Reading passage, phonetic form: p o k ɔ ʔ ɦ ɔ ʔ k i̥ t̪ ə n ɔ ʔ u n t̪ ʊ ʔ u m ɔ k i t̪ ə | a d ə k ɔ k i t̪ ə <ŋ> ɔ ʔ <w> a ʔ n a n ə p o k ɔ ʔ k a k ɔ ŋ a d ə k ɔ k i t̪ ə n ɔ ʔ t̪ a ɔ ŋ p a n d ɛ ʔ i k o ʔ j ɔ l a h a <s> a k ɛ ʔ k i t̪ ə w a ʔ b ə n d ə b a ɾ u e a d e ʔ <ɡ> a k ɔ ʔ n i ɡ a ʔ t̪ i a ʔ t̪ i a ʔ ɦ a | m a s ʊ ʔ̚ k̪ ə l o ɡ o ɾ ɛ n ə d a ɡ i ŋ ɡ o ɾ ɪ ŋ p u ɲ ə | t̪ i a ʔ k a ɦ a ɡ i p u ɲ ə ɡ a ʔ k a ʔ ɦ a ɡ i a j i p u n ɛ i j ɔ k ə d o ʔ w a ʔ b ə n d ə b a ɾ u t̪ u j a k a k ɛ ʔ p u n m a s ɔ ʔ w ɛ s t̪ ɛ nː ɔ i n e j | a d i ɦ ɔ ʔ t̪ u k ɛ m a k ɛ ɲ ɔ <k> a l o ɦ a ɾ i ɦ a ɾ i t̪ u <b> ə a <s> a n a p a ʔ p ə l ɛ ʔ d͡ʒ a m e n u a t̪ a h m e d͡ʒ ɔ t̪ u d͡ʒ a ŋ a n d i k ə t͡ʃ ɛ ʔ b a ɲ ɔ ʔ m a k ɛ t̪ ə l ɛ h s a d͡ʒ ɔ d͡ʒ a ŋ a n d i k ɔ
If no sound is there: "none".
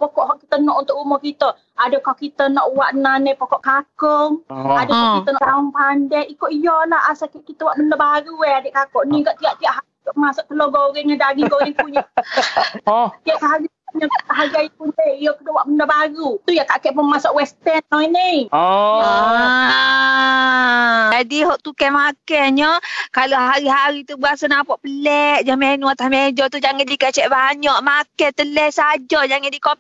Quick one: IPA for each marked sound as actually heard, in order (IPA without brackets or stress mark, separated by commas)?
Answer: n, w, s, k, k, b, s